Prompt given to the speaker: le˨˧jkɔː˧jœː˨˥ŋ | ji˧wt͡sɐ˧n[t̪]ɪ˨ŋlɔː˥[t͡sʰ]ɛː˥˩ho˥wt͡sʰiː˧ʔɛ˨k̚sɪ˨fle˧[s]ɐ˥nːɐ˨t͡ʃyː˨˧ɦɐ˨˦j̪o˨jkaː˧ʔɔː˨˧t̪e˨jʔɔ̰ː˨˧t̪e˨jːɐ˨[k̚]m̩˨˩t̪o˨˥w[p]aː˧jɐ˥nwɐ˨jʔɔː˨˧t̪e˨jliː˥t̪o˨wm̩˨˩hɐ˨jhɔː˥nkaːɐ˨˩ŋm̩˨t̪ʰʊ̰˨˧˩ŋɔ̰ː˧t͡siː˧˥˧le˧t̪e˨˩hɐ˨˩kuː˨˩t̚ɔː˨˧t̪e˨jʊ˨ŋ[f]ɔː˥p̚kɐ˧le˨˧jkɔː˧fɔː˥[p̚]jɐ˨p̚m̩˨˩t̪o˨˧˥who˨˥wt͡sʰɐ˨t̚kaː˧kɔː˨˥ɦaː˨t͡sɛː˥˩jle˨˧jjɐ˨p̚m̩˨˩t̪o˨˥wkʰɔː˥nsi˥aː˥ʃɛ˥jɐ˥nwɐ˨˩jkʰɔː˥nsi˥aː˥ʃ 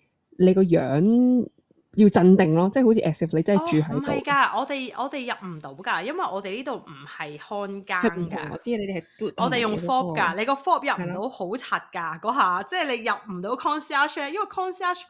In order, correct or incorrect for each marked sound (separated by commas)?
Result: correct, incorrect, incorrect, incorrect, incorrect, correct, correct